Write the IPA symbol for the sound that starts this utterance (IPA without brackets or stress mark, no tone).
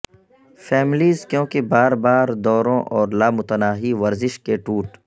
f